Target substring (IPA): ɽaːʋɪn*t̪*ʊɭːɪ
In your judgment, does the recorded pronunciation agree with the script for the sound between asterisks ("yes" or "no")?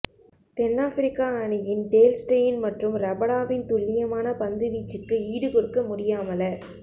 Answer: yes